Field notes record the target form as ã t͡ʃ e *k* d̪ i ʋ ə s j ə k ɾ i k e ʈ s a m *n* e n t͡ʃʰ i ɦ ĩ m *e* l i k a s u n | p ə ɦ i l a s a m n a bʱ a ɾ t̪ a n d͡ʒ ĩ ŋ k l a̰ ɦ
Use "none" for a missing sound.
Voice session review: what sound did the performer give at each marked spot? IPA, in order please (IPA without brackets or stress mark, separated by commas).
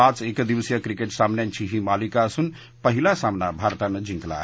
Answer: k, n, a